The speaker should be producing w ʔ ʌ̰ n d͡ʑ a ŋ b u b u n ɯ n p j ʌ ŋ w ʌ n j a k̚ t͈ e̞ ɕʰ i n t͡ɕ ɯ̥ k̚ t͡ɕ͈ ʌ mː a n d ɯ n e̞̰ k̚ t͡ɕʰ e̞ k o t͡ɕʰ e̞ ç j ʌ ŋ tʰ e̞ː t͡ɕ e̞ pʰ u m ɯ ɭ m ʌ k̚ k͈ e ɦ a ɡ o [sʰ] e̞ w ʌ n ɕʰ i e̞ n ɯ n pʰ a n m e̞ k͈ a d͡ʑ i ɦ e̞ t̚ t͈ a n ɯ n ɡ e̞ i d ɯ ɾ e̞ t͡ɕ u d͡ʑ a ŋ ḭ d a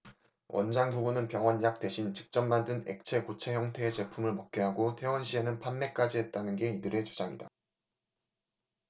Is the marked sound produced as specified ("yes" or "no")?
no